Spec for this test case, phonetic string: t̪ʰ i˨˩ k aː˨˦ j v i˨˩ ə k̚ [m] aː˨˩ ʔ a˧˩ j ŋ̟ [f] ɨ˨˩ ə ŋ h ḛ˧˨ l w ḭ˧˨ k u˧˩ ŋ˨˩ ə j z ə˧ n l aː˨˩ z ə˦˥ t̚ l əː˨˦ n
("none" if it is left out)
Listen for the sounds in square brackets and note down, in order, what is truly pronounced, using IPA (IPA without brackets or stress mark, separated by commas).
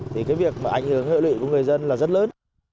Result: m, h